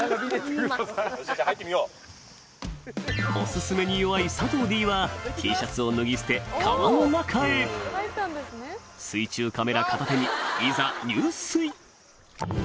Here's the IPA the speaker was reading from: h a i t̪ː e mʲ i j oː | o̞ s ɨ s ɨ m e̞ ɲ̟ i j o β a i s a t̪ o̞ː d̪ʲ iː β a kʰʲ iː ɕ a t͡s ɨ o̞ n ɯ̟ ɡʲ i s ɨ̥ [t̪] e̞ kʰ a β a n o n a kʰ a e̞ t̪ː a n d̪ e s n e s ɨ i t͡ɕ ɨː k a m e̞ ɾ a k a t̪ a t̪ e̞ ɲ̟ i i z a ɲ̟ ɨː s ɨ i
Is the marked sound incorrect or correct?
correct